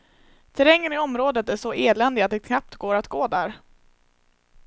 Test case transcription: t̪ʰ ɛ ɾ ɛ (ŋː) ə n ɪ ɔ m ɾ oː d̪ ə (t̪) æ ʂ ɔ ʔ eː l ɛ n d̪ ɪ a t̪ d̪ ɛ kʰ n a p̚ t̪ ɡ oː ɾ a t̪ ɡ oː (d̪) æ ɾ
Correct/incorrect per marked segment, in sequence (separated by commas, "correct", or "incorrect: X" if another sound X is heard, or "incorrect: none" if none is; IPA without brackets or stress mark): correct, correct, correct